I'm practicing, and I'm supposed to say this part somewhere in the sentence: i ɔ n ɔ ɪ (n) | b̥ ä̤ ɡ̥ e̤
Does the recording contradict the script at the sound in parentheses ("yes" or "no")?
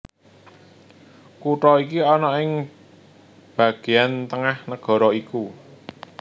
yes